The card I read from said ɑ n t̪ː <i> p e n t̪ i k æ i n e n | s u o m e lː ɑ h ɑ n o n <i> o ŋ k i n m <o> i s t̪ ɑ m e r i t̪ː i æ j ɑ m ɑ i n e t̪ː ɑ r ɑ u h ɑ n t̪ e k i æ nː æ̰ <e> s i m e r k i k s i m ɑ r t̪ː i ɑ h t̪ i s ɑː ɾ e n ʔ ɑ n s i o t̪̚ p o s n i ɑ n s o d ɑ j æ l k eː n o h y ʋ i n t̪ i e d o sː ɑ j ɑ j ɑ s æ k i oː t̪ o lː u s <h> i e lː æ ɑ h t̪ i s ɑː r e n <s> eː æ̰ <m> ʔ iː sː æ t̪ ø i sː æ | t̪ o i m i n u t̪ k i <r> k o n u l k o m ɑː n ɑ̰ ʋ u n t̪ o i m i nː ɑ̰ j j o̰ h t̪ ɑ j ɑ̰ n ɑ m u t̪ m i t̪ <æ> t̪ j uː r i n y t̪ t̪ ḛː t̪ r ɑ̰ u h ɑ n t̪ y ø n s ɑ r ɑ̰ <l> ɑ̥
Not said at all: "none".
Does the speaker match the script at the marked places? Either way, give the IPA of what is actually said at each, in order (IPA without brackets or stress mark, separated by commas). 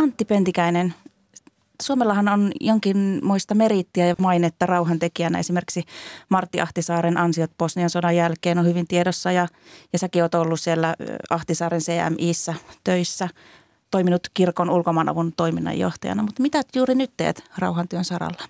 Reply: i, j, o, e, s, s, m, r, æ, lː